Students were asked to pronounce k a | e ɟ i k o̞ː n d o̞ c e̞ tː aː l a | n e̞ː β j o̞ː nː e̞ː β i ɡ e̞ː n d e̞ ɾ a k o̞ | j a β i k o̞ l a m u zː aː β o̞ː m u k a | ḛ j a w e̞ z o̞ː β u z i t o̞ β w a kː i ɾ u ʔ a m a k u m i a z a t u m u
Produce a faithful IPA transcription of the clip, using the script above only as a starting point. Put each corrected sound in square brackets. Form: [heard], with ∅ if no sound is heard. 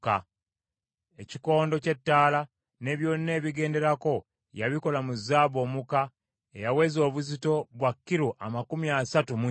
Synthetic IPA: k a | e [c] i k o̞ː n d o̞ c e̞ tː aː l a | n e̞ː β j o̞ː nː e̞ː β i ɡ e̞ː n d e̞ ɾ a k o̞ | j a β i k o̞ l a m u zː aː β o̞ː m u k a | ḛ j a w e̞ z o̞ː β u z i t o̞ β w a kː i ɾ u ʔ a m a k u m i a [s] a t u m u

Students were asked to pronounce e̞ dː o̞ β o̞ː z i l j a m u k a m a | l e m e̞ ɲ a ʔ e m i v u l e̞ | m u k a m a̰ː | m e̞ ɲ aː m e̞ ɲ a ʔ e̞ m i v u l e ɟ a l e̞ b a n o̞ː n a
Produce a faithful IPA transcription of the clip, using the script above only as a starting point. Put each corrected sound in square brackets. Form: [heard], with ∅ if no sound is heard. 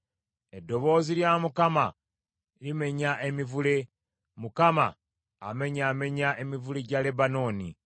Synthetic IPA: e̞ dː o̞ β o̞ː z i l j a m u k a m a | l [i] m e̞ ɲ a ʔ e m i v u l e̞ | m u k a m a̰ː | m e̞ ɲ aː m e̞ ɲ a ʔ e̞ m i v u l e ɟ a l e̞ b a n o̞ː n [i]

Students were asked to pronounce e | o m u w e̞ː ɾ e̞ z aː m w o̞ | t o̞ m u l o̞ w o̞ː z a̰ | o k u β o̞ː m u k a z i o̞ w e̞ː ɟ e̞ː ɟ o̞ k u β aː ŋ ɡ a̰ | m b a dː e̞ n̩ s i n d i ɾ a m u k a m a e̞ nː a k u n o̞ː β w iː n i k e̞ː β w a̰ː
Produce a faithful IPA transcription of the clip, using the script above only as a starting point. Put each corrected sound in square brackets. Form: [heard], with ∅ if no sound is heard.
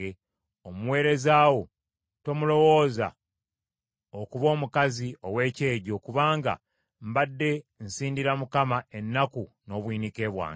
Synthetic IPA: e | o m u w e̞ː ɾ e̞ z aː [∅] w o̞ | t o̞ m u l o̞ w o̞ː z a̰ | o k u β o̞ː m u k a z i o̞ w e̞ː [c] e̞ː ɟ o̞ k u β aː ŋ ɡ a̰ | m b a dː e̞ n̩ s [iː] n d i ɾ a m u k a m a e̞ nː a k u n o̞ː β w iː n i k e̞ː β w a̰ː

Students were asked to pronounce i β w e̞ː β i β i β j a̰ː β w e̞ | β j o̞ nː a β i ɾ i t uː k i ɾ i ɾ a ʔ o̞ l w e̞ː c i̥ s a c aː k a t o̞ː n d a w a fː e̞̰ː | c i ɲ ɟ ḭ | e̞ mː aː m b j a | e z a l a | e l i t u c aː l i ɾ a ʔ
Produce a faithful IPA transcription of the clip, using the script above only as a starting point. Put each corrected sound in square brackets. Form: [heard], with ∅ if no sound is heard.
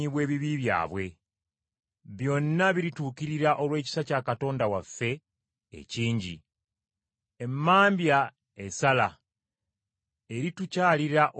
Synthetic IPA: i β w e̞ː β i β i β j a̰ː β w e̞ | β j o̞ nː a β i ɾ i t uː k i ɾ i ɾ a ʔ o̞ l w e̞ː c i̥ s a c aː k a t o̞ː n d a w a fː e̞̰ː | c [iː] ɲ ɟ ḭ | e̞ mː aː m b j a | e [s] a l a | e [ɾ] i t u c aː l i ɾ a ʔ

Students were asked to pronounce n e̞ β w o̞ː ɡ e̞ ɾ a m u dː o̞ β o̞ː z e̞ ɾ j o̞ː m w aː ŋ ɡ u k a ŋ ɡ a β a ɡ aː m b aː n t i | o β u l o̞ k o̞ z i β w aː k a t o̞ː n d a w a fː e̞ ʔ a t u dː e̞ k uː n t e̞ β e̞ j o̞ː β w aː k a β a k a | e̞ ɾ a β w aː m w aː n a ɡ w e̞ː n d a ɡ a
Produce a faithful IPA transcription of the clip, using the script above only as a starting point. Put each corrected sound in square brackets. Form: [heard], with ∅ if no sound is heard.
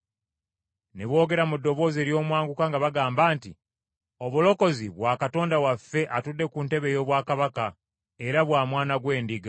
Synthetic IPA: n e̞ β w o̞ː ɡ e̞ ɾ a m u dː o̞ β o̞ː z e̞ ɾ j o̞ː m w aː ŋ ɡ u k a ŋ ɡ a β a ɡ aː m b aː n t i | o β u l o̞ k o̞ z i β w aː k a t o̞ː n d a w a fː e̞ ʔ a t u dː e̞ k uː n t e̞ β e̞ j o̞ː β w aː k a β a k a | e̞ ɾ a β w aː m w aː n a ɡ w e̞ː n d [i] ɡ a

